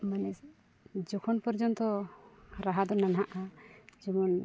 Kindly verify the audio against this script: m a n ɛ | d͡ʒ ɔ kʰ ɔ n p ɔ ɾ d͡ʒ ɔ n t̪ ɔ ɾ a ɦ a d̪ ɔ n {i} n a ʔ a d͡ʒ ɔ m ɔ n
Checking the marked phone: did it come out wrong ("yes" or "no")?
yes